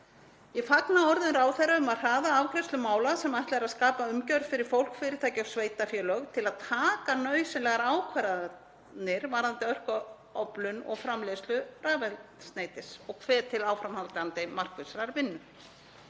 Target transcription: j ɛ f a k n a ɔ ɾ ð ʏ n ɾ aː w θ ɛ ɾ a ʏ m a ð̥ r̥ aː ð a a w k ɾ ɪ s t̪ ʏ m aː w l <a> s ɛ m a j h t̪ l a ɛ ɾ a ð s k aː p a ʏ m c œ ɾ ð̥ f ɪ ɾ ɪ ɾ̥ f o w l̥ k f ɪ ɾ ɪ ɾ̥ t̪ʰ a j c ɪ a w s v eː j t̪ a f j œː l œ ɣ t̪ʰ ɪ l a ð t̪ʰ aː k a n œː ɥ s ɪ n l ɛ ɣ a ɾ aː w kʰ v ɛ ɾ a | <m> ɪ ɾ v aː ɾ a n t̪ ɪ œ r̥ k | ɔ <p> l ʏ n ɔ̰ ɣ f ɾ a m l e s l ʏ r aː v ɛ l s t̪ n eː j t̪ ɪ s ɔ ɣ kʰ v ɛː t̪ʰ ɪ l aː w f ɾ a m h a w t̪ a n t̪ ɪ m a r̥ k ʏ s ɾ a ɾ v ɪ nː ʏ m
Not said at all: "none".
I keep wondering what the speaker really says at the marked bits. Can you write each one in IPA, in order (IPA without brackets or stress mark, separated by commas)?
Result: a, n, p